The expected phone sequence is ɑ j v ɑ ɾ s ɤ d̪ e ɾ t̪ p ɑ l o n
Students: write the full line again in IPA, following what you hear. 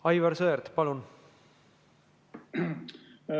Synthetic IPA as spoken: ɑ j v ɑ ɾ s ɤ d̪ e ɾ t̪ p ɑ l u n